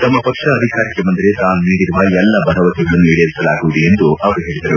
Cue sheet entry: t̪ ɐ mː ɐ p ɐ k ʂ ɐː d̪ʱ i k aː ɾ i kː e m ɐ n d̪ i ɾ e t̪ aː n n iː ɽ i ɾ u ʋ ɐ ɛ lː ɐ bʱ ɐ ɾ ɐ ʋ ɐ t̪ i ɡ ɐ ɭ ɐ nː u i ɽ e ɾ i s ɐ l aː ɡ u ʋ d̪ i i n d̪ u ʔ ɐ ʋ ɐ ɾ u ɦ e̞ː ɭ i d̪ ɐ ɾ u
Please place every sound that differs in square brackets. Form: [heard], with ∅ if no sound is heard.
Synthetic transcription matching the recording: t̪ ɐ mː ɐ p ɐ k ʂ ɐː d̪ʱ i k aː ɾ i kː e m ɐ n d̪ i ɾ e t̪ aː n n iː ɽ i ɾ u ʋ ɐ ɛ lː ɐ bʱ ɐ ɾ ɐ ʋ ɐ t̪ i ɡ ɐ ɭ ɐ nː u i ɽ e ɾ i s ɐ l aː ɡ u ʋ d̪ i [e] n d̪ u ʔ ɐ ʋ ɐ ɾ u ɦ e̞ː ɭ i d̪ ɐ ɾ u